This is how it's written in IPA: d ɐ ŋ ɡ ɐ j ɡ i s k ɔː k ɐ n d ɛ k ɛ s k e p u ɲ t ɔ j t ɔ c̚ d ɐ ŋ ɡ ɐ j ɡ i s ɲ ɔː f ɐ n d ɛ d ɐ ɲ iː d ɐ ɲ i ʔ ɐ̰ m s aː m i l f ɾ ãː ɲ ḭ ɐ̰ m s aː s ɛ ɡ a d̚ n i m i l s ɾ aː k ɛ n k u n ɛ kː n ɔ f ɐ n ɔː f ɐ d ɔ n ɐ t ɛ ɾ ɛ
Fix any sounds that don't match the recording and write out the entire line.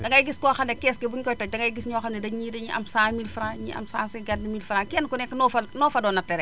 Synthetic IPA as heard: d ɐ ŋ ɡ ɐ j ɡ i s k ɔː x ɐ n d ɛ k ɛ s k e b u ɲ k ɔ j t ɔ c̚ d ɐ ŋ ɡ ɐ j ɡ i s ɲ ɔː x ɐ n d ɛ d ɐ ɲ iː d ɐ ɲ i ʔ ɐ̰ m s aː m i l f ɾ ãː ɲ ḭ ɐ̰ m s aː s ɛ ɡ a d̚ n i m i l f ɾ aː k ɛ n k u n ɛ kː n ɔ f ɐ n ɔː f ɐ d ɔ n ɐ t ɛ ɾ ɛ